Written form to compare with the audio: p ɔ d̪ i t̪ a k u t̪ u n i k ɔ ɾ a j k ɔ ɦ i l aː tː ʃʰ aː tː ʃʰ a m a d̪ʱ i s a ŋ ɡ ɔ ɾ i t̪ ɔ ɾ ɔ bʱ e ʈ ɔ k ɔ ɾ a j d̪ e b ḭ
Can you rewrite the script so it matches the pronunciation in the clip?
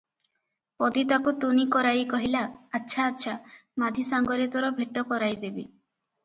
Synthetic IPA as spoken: p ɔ d̪ i t̪ a k u t̪ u n i k ɔ ɾ a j k ɔ ɦ i l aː tː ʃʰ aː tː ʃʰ a m a d̪ʱ i s a ŋ ɡ ɔ ɾ i t̪ ɔ ɾ ɔ bʱ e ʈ ɔ k ɔ ɾ a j d̪ e b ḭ